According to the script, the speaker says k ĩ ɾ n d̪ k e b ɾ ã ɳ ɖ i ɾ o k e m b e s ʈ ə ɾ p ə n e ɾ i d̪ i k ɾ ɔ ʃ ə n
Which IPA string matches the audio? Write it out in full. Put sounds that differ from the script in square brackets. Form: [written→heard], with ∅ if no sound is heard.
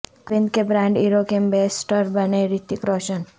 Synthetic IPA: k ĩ [ɾ→∅] n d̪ k e b ɾ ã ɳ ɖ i ɾ o k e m b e s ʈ ə ɾ [p→b] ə n e ɾ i [d̪→t̪] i k ɾ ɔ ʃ ə n